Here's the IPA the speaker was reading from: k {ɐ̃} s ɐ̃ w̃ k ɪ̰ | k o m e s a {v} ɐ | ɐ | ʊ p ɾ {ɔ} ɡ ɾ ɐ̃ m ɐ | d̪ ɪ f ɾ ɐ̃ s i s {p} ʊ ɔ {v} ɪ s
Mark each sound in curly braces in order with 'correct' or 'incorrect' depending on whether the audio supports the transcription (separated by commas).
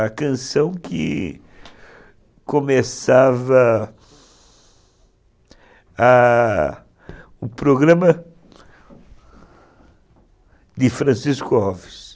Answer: correct, correct, incorrect, incorrect, correct